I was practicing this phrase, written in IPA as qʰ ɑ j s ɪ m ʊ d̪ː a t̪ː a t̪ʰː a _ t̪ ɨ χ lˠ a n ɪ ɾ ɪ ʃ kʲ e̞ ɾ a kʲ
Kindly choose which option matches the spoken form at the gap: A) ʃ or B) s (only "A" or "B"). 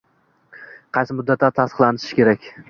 B